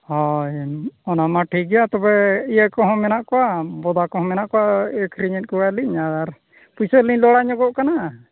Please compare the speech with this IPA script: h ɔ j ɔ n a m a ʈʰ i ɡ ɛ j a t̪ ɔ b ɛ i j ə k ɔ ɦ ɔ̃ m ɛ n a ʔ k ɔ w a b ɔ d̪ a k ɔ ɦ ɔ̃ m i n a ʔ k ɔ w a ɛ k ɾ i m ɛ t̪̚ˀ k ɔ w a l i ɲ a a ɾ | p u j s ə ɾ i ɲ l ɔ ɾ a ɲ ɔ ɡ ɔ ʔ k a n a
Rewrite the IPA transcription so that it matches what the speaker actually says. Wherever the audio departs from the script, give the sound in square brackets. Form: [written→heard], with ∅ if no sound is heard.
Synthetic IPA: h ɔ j ɔ n a m a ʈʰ i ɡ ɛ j a t̪ ɔ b ɛ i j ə k ɔ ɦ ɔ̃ m ɛ n a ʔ k ɔ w a b ɔ d̪ a k ɔ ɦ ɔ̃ m [i→ɛ] n a ʔ k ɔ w a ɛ k ɾ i [m→ɲ] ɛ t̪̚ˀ k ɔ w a l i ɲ a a ɾ | p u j s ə [ɾ→l] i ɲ l ɔ [ɾ→ɽ] a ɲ ɔ ɡ ɔ ʔ k a n a

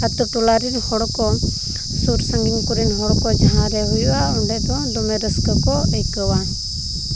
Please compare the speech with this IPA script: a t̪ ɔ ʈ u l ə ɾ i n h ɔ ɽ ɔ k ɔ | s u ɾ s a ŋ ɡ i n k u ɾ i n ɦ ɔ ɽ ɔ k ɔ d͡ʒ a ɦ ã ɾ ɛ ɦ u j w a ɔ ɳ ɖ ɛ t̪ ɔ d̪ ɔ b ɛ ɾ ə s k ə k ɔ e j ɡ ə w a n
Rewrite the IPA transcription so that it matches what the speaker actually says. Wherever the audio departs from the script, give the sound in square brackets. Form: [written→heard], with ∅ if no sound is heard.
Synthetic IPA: a t̪ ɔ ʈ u l [ə→a] ɾ i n h ɔ ɽ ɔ k ɔ | s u ɾ s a ŋ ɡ i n k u ɾ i n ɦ ɔ ɽ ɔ k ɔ d͡ʒ a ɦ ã ɾ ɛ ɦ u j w a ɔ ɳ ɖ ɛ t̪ ɔ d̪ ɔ [b→m] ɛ ɾ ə s k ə k ɔ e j [ɡ→k] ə w a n

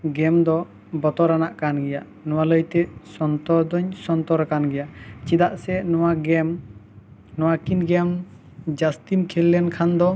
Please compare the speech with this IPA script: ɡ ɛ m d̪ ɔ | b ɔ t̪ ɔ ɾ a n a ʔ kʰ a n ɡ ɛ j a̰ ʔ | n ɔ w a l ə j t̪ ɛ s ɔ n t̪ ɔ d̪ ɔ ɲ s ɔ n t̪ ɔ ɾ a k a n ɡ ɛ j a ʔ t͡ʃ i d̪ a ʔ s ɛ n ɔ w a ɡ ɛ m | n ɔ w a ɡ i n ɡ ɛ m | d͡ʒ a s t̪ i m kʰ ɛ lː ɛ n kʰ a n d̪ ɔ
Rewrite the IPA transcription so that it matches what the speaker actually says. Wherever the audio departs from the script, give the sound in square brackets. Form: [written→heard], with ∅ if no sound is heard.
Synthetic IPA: ɡ ɛ m d̪ ɔ | b ɔ t̪ ɔ ɾ a n a ʔ [kʰ→k] a n ɡ ɛ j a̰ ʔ | n ɔ w a l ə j t̪ ɛ s ɔ n t̪ ɔ d̪ ɔ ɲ s ɔ n t̪ ɔ ɾ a k a n ɡ ɛ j a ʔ t͡ʃ i d̪ a ʔ s ɛ n ɔ w a ɡ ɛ m | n ɔ w a [ɡ→k] i n ɡ ɛ m | d͡ʒ a s t̪ i m kʰ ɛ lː ɛ n kʰ a n d̪ ɔ

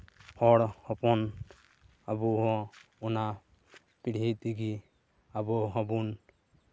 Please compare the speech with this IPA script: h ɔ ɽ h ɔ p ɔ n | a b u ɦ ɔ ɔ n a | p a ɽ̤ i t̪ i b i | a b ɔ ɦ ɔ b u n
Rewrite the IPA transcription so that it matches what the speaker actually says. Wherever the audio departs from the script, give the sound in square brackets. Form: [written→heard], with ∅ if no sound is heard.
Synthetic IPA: h ɔ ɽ h ɔ p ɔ n | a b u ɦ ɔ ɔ n a | p [a→i] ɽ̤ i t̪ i [b→ɡ] i | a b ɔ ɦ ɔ b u n

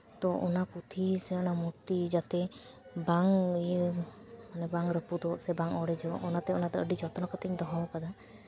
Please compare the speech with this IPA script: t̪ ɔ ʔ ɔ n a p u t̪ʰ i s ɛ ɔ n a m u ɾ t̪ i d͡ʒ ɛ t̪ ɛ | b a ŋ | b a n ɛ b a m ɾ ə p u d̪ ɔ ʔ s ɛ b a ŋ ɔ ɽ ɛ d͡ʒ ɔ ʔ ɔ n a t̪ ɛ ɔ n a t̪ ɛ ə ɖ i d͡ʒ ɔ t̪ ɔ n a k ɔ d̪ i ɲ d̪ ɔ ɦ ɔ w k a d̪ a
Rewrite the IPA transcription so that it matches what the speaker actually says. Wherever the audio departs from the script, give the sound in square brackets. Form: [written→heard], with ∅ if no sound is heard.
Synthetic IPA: t̪ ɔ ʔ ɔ n a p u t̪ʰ i s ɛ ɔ n a m u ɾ t̪ i d͡ʒ [ɛ→a] t̪ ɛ | b a ŋ | [b→m] a n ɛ b a [m→ŋ] ɾ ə p u d̪ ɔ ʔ s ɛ b a ŋ ɔ ɽ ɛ d͡ʒ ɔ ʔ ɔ n a t̪ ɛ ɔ n a t̪ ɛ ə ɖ i d͡ʒ ɔ t̪ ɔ n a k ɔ [d̪→t̪] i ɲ d̪ ɔ ɦ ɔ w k a d̪ a

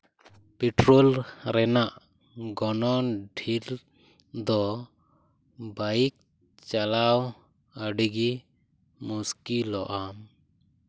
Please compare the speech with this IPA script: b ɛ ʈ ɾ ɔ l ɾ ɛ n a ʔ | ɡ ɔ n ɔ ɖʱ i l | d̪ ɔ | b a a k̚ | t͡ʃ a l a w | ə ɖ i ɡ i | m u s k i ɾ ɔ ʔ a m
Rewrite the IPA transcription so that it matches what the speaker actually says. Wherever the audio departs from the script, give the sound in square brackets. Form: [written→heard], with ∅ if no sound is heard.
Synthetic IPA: [b→p] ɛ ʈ ɾ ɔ l ɾ ɛ n a ʔ | ɡ ɔ n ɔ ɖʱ i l | d̪ ɔ | b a [a→i] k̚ | t͡ʃ a l a w | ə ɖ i ɡ i | m u s k i [ɾ→l] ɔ ʔ a m

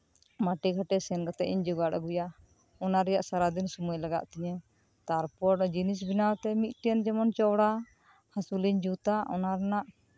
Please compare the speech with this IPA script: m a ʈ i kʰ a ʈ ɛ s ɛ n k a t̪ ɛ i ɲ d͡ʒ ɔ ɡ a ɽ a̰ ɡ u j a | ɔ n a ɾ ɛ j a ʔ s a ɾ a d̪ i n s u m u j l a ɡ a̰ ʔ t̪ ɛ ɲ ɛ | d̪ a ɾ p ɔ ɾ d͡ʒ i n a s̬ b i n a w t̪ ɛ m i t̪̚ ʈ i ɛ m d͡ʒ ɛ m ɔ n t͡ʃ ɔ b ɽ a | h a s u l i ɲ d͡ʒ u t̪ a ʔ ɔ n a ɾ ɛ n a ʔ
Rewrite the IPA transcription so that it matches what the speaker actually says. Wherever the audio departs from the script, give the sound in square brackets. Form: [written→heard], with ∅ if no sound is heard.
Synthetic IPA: m a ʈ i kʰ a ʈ ɛ s ɛ n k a t̪ ɛ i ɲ d͡ʒ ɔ ɡ a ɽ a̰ ɡ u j a | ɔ n a ɾ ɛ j a ʔ s a ɾ a d̪ i n s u m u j l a ɡ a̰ ʔ t̪ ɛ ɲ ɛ | [d̪→t̪] a ɾ p ɔ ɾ d͡ʒ i n [a→i] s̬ b i n a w t̪ ɛ m i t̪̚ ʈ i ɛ [m→n] d͡ʒ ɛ m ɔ n t͡ʃ ɔ [b→w] ɽ a | h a s u l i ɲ d͡ʒ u t̪ a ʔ ɔ n a ɾ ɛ n a ʔ

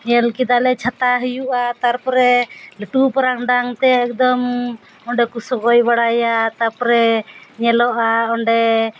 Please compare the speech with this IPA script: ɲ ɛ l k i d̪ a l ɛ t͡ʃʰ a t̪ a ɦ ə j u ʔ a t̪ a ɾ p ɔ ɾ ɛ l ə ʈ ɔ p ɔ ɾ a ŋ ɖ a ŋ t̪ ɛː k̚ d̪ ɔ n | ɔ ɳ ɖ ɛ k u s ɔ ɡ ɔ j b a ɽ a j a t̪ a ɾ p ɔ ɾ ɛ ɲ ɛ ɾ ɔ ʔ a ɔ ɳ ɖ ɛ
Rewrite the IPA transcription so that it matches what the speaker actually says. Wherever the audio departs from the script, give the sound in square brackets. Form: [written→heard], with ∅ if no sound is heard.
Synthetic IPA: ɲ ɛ l k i d̪ a l ɛ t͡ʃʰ a t̪ a ɦ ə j u ʔ a t̪ a ɾ p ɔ ɾ ɛ l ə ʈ [ɔ→u] p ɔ ɾ a ŋ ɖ a ŋ t̪ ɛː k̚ d̪ ɔ [n→m] | ɔ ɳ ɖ ɛ k u s ɔ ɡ ɔ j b a ɽ a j a t̪ a ɾ p ɔ ɾ ɛ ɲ ɛ [ɾ→l] ɔ ʔ a ɔ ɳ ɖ ɛ

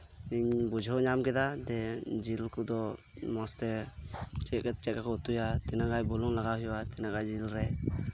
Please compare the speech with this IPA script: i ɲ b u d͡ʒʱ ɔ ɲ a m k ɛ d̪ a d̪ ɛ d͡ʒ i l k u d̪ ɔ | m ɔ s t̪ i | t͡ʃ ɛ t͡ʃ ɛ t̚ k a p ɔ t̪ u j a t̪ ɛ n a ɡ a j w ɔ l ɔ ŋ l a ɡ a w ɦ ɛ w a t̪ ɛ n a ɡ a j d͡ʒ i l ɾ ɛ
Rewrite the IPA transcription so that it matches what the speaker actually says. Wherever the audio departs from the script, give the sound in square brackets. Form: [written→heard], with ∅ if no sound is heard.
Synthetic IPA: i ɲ b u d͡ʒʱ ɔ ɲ a m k ɛ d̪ a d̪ ɛ d͡ʒ i l k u d̪ ɔ | m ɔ s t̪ [i→ɛ] | t͡ʃ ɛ t͡ʃ ɛ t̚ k a [p→k] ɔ t̪ u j a t̪ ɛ n a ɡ a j [w→b] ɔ l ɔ ŋ l a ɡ a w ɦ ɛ w a t̪ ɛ n a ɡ a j d͡ʒ i l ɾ ɛ

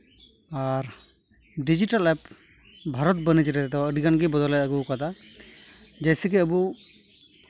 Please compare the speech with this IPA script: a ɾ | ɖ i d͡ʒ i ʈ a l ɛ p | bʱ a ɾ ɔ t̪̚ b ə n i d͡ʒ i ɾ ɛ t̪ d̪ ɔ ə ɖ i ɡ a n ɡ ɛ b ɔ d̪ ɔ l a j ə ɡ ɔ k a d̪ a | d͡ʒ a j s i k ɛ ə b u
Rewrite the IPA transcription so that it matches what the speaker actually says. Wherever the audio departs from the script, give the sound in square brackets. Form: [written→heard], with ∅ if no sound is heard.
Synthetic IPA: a ɾ | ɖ i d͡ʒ i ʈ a l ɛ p | bʱ a ɾ ɔ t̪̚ b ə n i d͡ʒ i ɾ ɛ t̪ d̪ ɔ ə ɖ i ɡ a n ɡ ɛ b ɔ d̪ ɔ l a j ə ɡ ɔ k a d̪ a | d͡ʒ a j s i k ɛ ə b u

